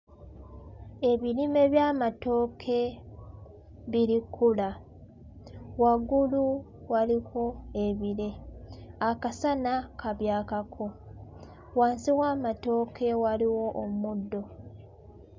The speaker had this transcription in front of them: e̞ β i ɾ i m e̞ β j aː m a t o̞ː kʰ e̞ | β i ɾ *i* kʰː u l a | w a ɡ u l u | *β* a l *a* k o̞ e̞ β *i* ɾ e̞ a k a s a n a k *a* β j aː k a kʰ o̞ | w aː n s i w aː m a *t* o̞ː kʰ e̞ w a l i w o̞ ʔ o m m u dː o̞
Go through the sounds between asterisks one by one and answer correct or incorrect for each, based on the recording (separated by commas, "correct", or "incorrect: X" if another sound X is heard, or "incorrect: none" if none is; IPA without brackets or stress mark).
correct, incorrect: w, incorrect: i, correct, correct, correct